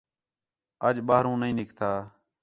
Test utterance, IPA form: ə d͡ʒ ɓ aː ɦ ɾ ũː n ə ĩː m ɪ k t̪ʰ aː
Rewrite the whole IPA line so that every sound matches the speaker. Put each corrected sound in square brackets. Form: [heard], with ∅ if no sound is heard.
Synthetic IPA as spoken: ə d͡ʒ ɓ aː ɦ ɾ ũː n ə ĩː [n] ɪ k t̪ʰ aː